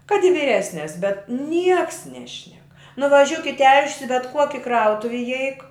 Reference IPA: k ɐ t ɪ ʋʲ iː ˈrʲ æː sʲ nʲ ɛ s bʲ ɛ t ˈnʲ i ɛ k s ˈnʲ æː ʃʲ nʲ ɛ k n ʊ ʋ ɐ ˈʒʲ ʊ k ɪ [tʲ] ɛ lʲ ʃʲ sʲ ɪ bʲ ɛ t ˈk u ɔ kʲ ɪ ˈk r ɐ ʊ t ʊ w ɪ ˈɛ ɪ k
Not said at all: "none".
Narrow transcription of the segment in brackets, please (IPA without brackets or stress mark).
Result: tʲ